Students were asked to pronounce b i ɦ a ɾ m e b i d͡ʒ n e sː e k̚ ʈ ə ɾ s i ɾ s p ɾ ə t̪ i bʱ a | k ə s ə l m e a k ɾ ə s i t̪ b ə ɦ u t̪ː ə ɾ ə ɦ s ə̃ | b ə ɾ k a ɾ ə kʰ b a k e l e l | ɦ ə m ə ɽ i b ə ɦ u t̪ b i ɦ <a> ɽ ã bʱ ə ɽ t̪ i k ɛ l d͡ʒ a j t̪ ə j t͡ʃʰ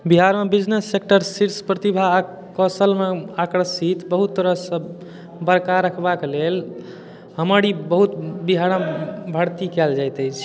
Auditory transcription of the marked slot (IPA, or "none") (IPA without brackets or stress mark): a